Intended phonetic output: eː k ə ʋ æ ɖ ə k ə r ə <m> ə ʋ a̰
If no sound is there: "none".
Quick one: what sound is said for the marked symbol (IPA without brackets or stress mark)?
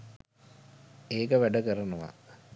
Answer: n